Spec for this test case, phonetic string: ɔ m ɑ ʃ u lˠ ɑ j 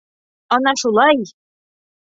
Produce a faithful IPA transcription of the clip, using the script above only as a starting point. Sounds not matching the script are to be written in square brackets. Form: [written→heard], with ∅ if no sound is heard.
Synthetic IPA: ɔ [m→n] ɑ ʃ u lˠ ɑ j

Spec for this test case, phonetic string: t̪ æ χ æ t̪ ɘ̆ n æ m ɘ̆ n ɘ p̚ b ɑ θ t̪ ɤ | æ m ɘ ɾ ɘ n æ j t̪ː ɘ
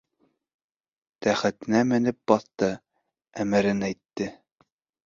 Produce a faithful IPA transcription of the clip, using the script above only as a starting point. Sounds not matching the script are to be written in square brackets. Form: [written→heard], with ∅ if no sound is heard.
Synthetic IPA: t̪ æ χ æ t̪ ɘ̆ n æ m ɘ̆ n ɘ p̚ b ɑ θ t̪ ɤ | æ m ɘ ɾ ɘ n æ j t̪ː ɘ

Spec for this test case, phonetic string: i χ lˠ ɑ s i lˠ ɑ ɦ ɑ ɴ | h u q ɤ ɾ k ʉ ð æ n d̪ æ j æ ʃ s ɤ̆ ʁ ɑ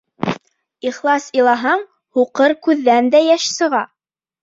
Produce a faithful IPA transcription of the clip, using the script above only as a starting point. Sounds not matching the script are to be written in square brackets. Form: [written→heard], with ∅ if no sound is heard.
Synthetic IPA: i χ lˠ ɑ s i lˠ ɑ ɦ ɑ ɴ | h u q ɤ ɾ k ʉ [ð→ðː] æ n d̪ æ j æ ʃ s ɤ̆ ʁ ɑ

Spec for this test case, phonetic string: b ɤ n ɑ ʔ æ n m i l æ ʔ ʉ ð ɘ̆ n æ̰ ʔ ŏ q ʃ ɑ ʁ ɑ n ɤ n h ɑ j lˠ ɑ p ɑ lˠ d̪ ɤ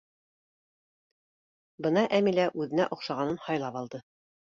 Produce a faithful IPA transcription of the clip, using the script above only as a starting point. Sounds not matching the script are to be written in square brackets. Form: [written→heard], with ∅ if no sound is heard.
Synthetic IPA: b ɤ n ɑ ʔ æ [n→∅] m i l æ ʔ ʉ ð ɘ̆ n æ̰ ʔ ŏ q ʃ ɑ ʁ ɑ n ɤ n h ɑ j lˠ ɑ p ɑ lˠ d̪ ɤ

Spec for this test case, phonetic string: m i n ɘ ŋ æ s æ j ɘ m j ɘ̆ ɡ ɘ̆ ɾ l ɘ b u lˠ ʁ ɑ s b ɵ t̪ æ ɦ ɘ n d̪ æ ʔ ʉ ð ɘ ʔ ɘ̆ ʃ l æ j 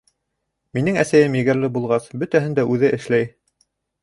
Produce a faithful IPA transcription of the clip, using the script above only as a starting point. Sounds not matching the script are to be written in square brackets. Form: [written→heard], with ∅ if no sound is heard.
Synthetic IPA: m i n ɘ ŋ æ s æ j ɘ m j ɘ̆ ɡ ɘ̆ ɾ l ɘ b u lˠ ʁ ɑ s b ɵ t̪ æ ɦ ɘ n d̪ æ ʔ ʉ ð ɘ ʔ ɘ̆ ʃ l æ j

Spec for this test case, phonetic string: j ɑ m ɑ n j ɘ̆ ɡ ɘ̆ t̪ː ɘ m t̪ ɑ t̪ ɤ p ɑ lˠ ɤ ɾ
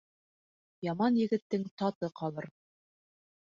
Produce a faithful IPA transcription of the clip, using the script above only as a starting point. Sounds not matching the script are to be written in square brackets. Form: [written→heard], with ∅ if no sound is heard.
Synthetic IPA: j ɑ m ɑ n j ɘ̆ ɡ ɘ̆ t̪ː ɘ [m→ŋ] t̪ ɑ t̪ ɤ [p→q] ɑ lˠ ɤ ɾ

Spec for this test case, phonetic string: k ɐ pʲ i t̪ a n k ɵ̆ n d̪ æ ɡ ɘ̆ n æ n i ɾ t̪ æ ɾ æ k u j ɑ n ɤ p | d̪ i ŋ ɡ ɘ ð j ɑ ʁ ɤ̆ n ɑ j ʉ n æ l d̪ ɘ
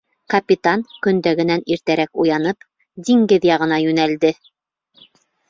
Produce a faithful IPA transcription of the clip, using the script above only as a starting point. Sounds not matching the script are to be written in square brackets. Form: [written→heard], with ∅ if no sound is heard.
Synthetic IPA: k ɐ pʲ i t̪ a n k ɵ̆ n d̪ æ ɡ ɘ̆ n æ n i ɾ t̪ æ ɾ æ k u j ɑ n ɤ p | d̪ i ŋ ɡ ɘ ð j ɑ ʁ ɤ̆ n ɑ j ʉ n æ l d̪ ɘ

